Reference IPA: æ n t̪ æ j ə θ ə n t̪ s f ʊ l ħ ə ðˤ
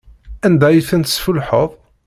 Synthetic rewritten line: æ n d̪ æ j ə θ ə n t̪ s f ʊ l ħ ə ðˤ